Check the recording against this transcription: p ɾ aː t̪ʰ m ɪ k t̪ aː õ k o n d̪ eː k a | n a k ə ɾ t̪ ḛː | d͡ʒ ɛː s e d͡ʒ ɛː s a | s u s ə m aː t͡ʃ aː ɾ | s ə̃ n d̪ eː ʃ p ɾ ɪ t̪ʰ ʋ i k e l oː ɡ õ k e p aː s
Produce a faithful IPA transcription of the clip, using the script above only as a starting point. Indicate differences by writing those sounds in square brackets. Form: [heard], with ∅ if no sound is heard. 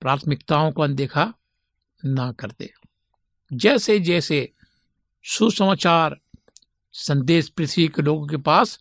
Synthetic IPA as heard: p ɾ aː t̪ʰ m ɪ k t̪ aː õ k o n d̪ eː [kʰ] a | n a k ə ɾ t̪ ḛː | d͡ʒ ɛː s e d͡ʒ ɛː s [e] | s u s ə m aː t͡ʃ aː ɾ | s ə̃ n d̪ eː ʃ p ɾ ɪ t̪ʰ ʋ i k e l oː ɡ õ k e p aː s